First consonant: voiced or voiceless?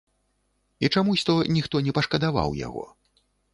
voiceless